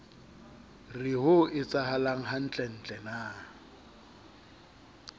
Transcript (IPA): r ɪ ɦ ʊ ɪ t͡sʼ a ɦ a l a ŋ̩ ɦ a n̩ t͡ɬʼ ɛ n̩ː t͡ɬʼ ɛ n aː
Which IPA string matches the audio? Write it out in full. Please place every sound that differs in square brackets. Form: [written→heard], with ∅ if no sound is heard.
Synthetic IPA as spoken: r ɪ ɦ ʊ ɪ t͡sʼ a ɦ a l a ŋ̩ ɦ a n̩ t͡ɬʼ ɛ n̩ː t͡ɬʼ ɛ n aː